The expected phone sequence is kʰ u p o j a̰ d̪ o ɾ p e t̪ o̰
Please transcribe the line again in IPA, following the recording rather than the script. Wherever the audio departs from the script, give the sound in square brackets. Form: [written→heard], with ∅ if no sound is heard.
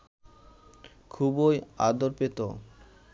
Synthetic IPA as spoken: kʰ u [p→b] o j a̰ d̪ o ɾ p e t̪ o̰